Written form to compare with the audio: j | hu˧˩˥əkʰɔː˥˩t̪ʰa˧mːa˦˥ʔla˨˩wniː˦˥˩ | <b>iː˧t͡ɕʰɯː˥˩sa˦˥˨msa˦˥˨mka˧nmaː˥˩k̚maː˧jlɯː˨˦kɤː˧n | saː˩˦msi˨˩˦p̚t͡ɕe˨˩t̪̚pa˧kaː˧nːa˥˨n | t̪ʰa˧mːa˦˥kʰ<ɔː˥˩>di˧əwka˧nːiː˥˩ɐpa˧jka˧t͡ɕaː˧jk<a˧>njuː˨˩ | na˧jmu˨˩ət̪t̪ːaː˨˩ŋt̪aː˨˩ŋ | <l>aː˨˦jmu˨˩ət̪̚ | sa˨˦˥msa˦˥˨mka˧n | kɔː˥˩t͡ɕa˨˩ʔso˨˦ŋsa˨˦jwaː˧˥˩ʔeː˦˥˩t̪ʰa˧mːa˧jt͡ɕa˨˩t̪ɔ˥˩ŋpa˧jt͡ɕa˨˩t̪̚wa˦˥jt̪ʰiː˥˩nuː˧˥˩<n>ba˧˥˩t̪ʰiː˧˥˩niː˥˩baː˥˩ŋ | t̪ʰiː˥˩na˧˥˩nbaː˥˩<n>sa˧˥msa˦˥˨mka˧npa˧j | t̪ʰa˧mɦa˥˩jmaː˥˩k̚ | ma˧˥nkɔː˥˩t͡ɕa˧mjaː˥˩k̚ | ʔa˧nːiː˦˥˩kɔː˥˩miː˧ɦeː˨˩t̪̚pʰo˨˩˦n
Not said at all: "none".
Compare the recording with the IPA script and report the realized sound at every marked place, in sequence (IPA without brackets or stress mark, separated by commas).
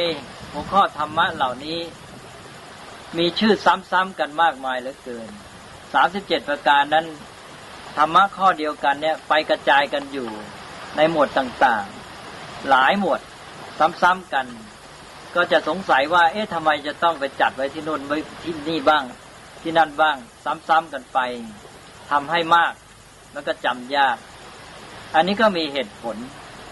m, ɔː˥˩, a˧, l, n, ŋ